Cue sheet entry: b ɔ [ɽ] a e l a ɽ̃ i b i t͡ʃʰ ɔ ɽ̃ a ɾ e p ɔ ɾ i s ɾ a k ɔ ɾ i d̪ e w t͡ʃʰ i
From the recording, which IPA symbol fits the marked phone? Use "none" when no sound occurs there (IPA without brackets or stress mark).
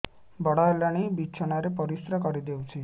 ɽ